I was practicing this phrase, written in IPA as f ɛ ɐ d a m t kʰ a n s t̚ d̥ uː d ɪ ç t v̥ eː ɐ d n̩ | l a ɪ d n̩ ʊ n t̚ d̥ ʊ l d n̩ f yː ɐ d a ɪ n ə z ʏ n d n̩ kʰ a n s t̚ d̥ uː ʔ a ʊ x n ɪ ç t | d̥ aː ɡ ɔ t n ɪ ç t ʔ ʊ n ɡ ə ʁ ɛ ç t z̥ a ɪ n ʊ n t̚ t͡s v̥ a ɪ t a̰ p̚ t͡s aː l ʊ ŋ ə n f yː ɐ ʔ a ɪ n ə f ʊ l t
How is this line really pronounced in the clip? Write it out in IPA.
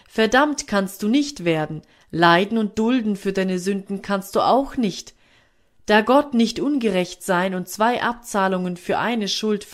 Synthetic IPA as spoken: f ɛ ɐ d a m t kʰ a n s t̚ d̥ uː n ɪ ç t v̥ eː ɐ d n̩ | l a ɪ d n̩ ʊ n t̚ d̥ ʊ l d n̩ f yː ɐ d a ɪ n ə z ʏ n d n̩ kʰ a n s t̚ d̥ uː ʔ a ʊ x n ɪ ç t | d̥ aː ɡ ɔ t n ɪ ç t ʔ ʊ n ɡ ə ʁ ɛ ç t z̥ a ɪ n ʊ n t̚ t͡s v̥ a ɪ ʔ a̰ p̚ t͡s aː l ʊ ŋ ə n f yː ɐ ʔ a ɪ n ə ʃ ʊ l t